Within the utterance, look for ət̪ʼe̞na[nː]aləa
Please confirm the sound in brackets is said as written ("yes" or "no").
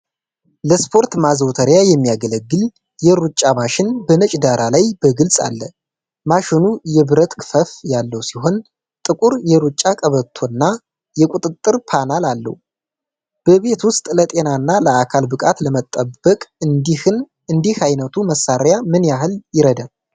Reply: yes